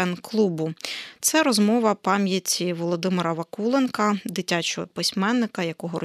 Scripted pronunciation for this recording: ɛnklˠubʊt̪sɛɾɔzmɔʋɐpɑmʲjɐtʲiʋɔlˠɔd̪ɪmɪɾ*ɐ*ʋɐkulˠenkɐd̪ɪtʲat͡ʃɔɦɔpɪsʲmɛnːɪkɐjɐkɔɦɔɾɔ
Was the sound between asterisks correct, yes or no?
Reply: yes